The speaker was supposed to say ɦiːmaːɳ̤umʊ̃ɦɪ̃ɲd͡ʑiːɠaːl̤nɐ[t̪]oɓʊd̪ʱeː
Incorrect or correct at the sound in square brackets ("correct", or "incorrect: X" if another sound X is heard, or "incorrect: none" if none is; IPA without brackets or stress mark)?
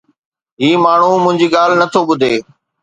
incorrect: t̪ʰ